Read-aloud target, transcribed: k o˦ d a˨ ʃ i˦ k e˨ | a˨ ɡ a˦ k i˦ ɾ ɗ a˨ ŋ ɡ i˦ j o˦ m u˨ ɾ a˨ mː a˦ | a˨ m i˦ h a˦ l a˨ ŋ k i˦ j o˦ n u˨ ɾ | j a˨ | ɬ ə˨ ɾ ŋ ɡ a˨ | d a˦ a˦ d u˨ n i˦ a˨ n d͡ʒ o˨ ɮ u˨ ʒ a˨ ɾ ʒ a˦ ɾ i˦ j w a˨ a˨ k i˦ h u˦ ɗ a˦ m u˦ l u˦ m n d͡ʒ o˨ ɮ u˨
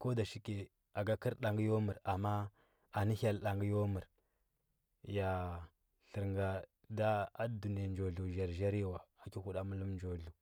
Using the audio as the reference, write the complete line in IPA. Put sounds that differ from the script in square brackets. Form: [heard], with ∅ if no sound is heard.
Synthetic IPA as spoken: k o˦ d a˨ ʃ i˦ k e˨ | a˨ ɡ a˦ k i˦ ɾ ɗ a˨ ŋ ɡ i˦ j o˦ m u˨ ɾ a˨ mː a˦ | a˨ [n] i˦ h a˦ l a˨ ŋ [ɡ] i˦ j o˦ [m] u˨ ɾ | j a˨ | ɬ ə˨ ɾ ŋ ɡ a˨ | d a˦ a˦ d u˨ n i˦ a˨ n d͡ʒ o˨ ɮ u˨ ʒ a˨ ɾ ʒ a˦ ɾ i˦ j w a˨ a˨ k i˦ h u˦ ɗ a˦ m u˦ l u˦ m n d͡ʒ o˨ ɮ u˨